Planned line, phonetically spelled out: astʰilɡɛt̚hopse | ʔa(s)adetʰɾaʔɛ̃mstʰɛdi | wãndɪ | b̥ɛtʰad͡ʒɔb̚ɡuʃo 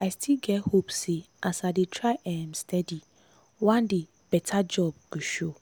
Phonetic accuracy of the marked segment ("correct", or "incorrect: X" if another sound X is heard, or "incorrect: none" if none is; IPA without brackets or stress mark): correct